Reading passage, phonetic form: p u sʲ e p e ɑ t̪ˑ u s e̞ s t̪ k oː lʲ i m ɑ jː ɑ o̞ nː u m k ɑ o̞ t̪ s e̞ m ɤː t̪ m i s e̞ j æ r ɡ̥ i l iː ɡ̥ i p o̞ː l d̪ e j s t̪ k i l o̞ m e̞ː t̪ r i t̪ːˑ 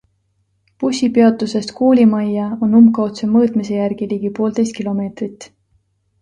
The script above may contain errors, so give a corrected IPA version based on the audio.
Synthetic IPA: p u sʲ i p e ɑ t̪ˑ u s e̞ s t̪ k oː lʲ i m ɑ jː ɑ o̞ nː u m k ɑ o̞ t̪ s e̞ m ɤː t̪ m i s e̞ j æ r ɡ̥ i l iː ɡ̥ i p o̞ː l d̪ e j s t̪ k i l o̞ m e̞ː t̪ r i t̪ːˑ